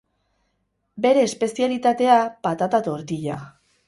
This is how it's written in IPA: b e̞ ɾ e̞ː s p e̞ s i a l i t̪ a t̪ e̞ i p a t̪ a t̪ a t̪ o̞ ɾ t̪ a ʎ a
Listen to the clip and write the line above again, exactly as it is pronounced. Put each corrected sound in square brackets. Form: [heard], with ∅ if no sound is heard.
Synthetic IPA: b e̞ ɾ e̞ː s p e̞ s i a l i t̪ a t̪ e̞ [a] p a t̪ a t̪ a t̪ o̞ ɾ t̪ [i] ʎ a